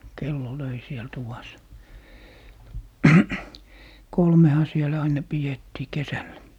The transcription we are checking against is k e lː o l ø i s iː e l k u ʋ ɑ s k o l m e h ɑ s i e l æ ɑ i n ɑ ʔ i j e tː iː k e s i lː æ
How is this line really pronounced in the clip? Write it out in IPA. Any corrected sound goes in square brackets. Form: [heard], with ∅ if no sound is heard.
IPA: k e lː o l ø i s [i] e l [t] u ʋ ɑ s k o l m e h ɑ s i e l æ ɑ i n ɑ [p] i j e tː iː k e s [æ] lː æ